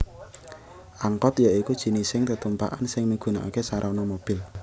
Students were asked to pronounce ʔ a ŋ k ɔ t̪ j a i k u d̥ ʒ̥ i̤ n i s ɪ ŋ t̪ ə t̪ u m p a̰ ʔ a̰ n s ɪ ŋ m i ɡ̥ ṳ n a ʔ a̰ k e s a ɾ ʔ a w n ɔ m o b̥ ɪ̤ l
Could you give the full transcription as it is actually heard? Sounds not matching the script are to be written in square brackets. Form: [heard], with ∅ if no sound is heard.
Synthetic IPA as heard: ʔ a ŋ k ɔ t̪ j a i k u d̥ ʒ̥ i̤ n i s ɪ ŋ t̪ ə t̪ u m p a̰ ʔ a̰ n s ɪ ŋ m i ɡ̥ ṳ n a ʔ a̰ k e s a ɾ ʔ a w n ɔ m o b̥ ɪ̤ l